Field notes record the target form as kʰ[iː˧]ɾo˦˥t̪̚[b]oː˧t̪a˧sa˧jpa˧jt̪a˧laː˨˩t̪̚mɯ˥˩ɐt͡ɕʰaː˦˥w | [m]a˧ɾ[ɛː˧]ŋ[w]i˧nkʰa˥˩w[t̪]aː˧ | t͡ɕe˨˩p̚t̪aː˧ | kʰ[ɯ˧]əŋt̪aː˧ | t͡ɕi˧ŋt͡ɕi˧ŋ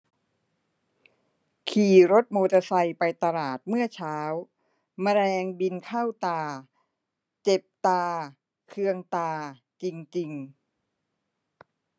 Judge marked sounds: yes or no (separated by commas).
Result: no, no, yes, yes, no, yes, yes